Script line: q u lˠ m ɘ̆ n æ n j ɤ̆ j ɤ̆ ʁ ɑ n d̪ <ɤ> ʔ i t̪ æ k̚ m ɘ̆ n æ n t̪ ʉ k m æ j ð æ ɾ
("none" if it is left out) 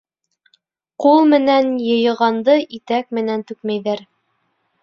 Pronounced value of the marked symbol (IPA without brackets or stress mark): ɤ